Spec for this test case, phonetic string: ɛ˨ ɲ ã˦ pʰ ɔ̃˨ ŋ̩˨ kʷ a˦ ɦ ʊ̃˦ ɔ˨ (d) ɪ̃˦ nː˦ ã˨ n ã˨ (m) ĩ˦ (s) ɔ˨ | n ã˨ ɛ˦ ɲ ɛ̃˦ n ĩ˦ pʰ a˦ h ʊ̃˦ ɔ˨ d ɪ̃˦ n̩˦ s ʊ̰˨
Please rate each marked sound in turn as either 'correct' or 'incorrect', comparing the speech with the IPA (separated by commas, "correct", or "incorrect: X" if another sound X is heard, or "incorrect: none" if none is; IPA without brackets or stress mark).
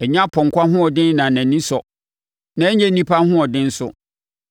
correct, incorrect: n, correct